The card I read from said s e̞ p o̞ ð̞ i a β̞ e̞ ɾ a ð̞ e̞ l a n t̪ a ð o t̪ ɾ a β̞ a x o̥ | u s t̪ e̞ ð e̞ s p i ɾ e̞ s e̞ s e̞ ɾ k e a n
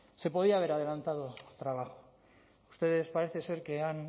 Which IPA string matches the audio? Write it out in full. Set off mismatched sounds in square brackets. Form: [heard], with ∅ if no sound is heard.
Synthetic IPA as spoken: s e̞ p o̞ ð̞ i a β̞ e̞ ɾ a ð̞ e̞ l a n t̪ a ð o t̪ ɾ a β̞ a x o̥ | u s t̪ e̞ ð e̞ s p [a] ɾ e̞ [θ] e̞ s e̞ ɾ k e a n